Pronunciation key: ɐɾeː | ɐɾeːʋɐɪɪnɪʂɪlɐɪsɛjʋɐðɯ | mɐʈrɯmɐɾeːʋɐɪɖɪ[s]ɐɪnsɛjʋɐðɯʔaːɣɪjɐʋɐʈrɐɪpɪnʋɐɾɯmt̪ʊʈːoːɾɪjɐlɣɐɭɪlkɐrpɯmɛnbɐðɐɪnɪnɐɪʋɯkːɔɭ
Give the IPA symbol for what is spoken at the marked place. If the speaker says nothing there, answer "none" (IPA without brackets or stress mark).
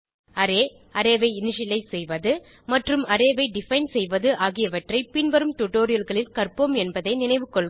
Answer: f